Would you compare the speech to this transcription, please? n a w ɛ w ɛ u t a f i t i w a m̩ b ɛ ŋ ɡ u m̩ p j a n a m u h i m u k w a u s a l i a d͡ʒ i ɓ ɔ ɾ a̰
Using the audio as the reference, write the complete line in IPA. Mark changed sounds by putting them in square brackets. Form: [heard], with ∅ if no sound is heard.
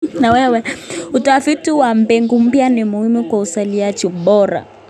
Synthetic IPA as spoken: n a w ɛ w ɛ u t a f i t i w a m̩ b ɛ ŋ ɡ u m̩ p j a n [i] m u h i m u k w a u s a l i a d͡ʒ i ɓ ɔ ɾ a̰